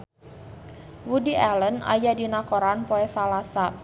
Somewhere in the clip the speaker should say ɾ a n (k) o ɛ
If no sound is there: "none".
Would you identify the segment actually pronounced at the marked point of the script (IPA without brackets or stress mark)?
p